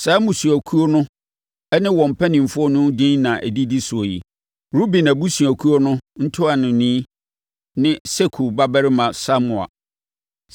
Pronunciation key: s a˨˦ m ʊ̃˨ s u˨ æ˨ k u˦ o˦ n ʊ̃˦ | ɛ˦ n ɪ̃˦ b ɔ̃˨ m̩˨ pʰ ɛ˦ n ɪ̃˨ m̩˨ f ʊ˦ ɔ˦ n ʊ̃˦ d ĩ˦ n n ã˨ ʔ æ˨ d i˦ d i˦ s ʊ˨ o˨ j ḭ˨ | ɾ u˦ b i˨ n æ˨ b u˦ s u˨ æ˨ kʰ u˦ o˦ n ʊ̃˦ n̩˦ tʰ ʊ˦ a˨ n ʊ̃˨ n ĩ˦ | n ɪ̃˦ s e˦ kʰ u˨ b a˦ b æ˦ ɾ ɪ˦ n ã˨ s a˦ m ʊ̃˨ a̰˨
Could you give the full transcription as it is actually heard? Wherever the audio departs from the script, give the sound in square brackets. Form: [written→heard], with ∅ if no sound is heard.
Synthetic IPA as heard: s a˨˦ m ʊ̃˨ s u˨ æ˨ [k→kʰ] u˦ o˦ n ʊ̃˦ | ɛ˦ n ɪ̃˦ [b→w] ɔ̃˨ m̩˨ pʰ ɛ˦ n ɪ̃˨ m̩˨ f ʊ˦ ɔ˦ n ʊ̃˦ d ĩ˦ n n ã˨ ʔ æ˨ d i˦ d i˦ s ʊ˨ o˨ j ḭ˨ | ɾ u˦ b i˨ n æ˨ b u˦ s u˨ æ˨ kʰ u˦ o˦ n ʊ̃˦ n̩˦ tʰ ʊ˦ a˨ n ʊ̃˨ n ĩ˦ | n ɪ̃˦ s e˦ kʰ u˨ b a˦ b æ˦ ɾ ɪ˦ [n→m] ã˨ s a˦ m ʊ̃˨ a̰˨